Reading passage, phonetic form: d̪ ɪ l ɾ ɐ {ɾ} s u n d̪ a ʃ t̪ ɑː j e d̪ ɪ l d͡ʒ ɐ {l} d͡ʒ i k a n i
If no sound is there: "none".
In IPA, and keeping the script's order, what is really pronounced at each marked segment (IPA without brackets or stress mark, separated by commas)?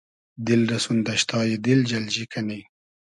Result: none, l